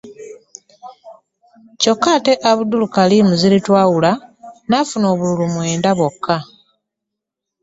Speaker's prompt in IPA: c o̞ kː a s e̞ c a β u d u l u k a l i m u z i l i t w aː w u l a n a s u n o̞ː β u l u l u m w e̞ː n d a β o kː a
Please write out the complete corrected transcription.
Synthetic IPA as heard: c o̞ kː a t e̞ ʔ a β u d u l u k a l i m u z i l i t w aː w u l a n a f u n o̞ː β u l u l u m w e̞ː n d a β o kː a